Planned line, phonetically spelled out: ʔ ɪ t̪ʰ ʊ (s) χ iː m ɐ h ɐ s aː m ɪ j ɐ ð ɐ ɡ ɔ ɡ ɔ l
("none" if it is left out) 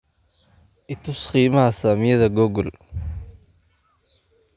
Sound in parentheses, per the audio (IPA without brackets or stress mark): s